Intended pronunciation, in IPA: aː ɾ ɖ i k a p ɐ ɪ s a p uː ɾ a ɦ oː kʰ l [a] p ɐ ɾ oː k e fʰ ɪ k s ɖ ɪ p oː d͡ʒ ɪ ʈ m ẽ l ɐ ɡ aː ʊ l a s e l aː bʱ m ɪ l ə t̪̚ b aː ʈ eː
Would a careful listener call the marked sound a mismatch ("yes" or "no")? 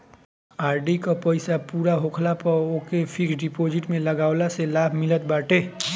no